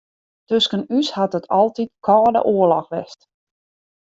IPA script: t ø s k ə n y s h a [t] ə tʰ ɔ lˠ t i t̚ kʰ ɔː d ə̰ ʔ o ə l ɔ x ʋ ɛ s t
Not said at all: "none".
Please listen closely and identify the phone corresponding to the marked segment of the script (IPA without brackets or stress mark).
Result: t